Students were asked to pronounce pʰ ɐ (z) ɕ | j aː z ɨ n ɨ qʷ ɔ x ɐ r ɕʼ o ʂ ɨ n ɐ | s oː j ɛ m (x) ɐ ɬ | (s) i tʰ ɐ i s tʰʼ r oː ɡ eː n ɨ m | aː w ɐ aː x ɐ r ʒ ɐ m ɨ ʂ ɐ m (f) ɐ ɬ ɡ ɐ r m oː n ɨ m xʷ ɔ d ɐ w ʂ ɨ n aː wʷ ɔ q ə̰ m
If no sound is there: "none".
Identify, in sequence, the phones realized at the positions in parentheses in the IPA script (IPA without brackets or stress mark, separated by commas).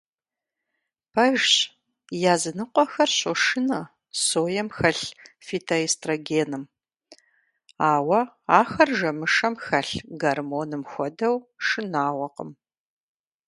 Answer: ʒ, x, f, x